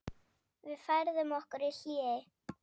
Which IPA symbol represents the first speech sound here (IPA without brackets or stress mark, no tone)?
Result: v